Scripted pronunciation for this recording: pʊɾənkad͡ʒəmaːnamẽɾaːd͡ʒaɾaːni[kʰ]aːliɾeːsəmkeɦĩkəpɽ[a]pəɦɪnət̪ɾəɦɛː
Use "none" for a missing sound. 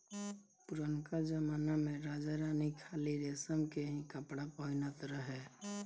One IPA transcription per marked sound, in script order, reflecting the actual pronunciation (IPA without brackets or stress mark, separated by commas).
kʰ, a